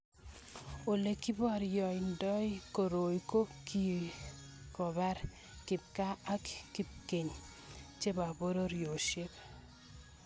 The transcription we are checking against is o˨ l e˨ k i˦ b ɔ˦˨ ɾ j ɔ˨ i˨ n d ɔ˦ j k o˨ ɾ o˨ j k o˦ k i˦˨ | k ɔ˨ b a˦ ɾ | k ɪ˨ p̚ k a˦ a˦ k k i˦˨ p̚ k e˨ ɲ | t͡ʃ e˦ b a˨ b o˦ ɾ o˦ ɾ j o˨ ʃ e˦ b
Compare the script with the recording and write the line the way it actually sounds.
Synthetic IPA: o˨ l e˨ k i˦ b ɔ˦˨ ɾ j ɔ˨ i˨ n d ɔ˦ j k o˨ ɾ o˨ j k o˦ k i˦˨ | k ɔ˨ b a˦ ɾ | k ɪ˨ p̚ k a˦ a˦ k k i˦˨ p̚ k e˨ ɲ | t͡ʃ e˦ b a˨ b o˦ ɾ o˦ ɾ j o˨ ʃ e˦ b